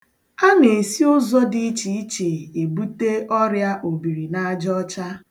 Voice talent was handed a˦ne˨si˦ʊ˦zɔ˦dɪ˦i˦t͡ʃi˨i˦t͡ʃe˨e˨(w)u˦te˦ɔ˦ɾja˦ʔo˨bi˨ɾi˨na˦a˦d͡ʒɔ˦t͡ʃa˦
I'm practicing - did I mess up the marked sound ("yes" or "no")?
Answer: yes